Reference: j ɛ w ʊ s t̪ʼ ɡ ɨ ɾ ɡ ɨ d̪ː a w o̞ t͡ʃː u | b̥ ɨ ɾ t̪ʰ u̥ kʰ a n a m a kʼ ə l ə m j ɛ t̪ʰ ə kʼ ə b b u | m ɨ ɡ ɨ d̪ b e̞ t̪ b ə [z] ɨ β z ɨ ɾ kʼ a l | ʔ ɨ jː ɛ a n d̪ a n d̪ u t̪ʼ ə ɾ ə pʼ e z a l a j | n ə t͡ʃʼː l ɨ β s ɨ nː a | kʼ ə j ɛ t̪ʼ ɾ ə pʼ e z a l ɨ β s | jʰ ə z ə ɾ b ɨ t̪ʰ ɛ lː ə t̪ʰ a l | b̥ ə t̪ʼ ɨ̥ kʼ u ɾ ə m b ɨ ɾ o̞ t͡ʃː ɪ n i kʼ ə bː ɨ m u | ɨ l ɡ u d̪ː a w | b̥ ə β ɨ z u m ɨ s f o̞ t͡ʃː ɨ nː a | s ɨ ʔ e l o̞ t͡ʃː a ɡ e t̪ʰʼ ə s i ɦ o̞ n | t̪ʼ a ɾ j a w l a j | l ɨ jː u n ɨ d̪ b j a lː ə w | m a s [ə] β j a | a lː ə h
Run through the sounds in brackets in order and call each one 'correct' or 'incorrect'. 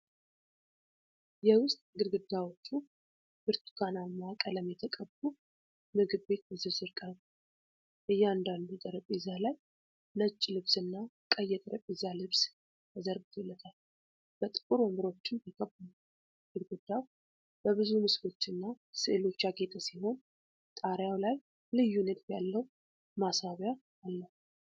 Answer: correct, incorrect: a

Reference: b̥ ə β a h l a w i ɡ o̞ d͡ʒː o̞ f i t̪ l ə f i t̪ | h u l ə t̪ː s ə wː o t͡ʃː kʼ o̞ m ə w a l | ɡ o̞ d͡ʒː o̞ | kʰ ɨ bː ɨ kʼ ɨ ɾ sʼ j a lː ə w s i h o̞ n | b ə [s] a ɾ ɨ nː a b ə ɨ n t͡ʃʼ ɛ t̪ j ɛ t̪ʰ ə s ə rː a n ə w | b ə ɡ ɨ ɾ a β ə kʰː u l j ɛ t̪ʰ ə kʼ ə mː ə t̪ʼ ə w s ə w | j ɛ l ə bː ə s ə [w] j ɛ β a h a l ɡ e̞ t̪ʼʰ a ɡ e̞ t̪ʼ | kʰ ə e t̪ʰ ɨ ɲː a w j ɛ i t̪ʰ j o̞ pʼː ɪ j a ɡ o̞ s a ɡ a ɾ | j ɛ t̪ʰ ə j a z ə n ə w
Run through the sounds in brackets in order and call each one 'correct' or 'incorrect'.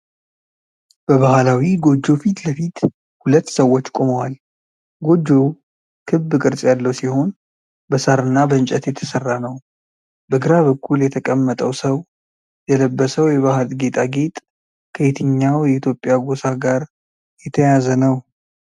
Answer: correct, correct

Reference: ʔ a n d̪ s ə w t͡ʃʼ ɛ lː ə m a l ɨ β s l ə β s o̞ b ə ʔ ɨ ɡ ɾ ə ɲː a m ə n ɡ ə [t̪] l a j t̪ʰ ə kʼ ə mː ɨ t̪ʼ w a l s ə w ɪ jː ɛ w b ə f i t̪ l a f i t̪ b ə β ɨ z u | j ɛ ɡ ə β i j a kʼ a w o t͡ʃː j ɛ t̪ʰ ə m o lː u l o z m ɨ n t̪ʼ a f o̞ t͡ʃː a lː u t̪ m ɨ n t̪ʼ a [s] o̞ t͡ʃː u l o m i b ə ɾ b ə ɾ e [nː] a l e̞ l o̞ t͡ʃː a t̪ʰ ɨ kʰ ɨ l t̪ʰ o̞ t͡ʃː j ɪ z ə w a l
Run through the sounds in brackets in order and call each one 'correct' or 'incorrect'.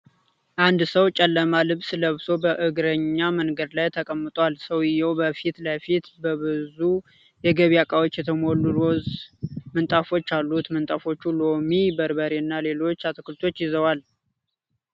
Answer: incorrect: d̪, incorrect: f, correct

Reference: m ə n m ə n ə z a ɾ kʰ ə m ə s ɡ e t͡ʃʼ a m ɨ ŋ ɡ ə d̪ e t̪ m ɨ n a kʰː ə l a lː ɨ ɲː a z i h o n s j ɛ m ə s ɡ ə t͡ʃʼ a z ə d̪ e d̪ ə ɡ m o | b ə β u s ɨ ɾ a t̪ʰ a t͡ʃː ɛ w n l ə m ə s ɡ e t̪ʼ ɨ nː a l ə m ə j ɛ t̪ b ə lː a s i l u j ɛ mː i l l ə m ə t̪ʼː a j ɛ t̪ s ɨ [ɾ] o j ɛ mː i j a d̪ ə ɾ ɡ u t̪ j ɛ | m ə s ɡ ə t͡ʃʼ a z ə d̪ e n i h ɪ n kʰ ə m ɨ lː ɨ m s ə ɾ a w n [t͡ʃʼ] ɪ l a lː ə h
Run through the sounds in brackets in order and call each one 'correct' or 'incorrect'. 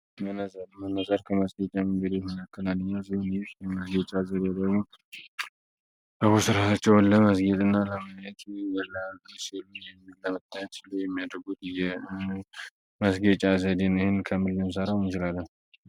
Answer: incorrect: l, incorrect: t͡ʃ

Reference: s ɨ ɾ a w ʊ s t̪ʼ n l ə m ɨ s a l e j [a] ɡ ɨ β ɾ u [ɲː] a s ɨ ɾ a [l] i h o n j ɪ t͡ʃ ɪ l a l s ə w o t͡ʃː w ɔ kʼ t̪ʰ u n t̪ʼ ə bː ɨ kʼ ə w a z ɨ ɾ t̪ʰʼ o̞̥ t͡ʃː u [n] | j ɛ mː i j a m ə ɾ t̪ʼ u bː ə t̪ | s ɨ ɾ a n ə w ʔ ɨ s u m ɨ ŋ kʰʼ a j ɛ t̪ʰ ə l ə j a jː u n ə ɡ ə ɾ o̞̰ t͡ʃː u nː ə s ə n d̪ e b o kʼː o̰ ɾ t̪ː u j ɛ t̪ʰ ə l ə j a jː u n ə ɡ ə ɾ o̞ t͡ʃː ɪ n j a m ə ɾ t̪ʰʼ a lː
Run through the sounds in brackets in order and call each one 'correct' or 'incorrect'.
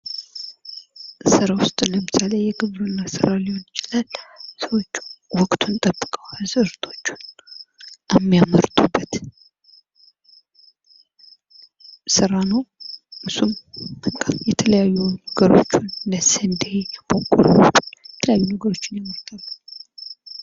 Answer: incorrect: ɛ, incorrect: nː, correct, correct

